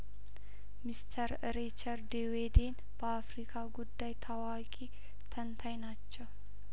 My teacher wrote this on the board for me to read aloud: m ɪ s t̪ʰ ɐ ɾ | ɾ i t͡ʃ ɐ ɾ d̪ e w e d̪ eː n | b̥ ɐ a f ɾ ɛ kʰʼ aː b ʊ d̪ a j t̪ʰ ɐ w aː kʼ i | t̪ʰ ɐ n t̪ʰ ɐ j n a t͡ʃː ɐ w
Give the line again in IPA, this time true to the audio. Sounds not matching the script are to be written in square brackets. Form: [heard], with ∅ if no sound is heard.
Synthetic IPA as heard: m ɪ s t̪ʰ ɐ ɾ | ɾ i t͡ʃ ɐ ɾ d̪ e w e d̪ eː n | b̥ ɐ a f ɾ [i] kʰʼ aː [ɡ] ʊ [d̪ː] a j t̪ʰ ɐ w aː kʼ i | t̪ʰ ɐ n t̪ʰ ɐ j n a t͡ʃː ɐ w

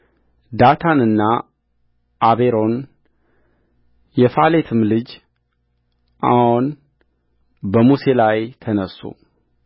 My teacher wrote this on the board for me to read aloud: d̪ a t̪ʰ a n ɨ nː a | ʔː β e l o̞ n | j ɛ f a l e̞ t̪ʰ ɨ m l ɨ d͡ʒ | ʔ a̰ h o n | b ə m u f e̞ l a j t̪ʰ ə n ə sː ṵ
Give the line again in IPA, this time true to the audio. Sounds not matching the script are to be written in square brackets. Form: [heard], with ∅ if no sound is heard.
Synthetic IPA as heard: d̪ a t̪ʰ a n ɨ nː a | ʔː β e [ɾ] o̞ n | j ɛ f a l e̞ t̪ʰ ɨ m l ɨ d͡ʒ | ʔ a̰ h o n | b ə m u [s] e̞ l a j t̪ʰ ə n ə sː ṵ

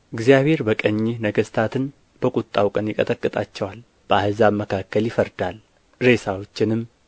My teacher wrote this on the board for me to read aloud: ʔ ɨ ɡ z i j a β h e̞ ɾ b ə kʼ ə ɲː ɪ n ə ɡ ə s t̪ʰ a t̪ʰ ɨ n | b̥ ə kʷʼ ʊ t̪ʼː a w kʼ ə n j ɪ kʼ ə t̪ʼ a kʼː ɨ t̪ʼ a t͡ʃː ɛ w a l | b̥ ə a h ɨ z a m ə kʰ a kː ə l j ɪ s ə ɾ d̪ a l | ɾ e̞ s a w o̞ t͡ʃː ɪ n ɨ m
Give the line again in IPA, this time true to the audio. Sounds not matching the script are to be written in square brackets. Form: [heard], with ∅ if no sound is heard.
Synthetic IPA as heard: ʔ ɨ ɡ z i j a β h e̞ ɾ b ə kʼ ə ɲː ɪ n ə ɡ ə s t̪ʰ a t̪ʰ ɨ n | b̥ ə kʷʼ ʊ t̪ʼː a w kʼ ə n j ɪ kʼ ə t̪ʼ [ə] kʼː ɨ t̪ʼ a t͡ʃː ɛ w a l | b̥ ə a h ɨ z a m ə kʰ a kː ə l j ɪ [f] ə ɾ d̪ a l | ɾ e̞ s a w o̞ t͡ʃː ɪ n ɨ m

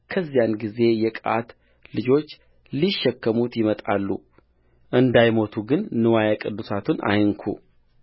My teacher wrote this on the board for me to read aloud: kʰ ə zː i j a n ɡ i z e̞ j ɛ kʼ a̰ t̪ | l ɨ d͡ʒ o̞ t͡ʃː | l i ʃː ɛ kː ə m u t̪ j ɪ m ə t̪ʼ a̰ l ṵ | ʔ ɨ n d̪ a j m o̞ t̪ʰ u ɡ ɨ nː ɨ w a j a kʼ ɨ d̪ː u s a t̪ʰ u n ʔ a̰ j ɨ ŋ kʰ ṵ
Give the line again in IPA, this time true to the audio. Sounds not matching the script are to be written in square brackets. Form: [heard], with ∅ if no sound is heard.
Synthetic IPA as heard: kʰ ə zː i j a n ɡ i z e̞ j ɛ kʼ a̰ t̪ | l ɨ d͡ʒ o̞ t͡ʃː | l i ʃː ɛ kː ə m u t̪ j ɪ m ə t̪ʼ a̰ [lː] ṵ | ʔ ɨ n d̪ a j m o̞ t̪ʰ u ɡ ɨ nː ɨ w a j a kʼ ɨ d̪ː u s a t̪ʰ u n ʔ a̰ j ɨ ŋ kʰ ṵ

